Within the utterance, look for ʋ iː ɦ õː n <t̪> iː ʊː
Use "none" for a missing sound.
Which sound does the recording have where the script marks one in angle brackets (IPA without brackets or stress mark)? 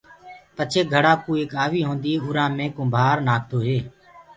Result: d̪